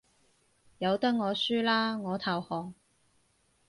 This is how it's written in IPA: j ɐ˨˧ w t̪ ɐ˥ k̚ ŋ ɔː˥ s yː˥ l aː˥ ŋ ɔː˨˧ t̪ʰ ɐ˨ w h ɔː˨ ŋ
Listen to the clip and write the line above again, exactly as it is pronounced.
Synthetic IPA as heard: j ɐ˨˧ w t̪ ɐ˥ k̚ ŋ ɔː˨˧ s yː˥ l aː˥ ŋ ɔː˨˧ t̪ʰ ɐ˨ w h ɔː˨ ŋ